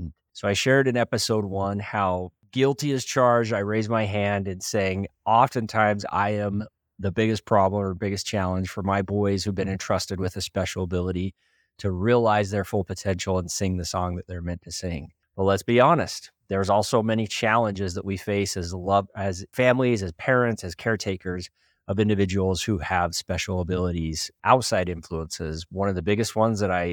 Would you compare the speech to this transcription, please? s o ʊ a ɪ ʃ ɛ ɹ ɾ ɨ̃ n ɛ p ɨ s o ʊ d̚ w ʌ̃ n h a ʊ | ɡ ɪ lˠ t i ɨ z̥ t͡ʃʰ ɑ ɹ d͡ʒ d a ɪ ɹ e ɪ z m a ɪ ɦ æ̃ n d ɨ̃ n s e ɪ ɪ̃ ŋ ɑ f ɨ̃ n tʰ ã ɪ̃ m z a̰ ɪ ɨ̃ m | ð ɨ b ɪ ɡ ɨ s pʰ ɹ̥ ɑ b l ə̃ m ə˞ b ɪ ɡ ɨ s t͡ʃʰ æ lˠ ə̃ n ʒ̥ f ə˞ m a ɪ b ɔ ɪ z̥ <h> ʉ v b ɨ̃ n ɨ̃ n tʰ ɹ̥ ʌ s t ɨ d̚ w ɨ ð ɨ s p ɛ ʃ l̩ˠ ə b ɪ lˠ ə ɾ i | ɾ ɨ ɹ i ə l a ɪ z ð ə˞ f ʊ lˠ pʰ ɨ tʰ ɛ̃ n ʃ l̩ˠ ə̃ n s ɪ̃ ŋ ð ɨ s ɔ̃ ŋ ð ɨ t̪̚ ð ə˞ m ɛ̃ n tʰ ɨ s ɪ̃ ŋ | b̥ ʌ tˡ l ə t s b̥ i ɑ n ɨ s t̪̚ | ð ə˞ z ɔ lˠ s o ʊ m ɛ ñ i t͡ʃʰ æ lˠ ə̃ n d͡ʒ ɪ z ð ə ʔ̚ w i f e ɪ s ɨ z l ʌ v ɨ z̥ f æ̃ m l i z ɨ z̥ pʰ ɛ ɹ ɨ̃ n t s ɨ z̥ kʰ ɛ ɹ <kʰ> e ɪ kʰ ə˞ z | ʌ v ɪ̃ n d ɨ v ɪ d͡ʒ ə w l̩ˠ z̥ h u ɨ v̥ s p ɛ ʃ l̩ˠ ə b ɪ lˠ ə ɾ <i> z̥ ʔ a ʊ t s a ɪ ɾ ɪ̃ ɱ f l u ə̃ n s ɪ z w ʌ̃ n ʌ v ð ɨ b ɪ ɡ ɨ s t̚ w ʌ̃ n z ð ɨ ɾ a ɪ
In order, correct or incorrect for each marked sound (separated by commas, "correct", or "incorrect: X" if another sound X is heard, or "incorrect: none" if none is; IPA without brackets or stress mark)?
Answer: correct, incorrect: tʰ, correct